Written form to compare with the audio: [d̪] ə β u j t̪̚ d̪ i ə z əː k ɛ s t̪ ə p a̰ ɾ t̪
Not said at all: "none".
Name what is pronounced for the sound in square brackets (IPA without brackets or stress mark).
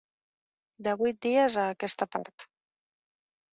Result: d̪